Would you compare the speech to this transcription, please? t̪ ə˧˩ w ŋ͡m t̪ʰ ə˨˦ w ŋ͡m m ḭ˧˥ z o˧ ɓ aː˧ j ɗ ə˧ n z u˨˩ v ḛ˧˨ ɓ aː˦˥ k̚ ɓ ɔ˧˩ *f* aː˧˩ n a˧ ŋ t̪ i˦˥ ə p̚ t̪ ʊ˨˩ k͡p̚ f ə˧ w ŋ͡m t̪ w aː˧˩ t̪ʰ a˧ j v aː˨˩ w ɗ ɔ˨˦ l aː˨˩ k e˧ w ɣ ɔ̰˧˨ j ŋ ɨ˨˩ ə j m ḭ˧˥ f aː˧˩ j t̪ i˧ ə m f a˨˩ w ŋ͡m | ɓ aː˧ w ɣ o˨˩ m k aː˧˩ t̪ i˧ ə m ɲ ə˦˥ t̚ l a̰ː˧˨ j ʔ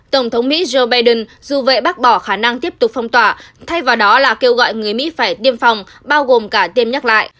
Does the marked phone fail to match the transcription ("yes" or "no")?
yes